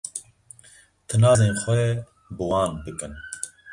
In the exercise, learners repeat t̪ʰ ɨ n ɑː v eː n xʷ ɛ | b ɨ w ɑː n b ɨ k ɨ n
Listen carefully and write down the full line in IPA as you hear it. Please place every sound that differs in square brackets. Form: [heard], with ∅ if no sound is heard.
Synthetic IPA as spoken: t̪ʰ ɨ n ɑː [z] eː n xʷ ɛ | b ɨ w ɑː n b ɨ k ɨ n